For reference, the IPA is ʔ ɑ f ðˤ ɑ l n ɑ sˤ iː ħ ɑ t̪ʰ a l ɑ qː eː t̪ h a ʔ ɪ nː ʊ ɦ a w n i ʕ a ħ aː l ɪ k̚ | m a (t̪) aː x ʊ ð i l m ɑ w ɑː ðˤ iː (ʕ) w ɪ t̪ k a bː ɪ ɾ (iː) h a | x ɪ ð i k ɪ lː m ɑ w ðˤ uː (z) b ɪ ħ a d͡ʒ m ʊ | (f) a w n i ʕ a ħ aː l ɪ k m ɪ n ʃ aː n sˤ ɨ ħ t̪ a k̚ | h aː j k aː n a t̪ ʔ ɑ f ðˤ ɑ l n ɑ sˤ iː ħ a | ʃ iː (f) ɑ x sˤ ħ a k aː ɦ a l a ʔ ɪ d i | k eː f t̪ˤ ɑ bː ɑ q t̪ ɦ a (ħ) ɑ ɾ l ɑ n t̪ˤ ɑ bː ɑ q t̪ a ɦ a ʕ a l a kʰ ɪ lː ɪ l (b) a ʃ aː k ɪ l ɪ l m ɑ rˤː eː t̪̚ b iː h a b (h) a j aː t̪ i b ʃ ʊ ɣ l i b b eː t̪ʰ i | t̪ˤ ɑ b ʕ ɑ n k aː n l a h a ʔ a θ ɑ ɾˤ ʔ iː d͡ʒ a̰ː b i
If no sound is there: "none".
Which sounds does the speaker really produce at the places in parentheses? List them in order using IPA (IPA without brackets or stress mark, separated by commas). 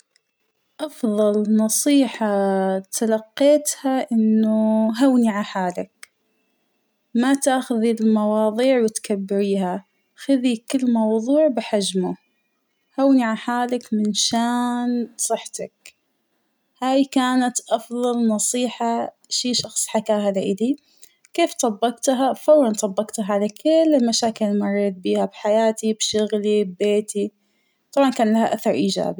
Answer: t̪, ʕ, iː, ʕ, h, ʃ, f, m, ħ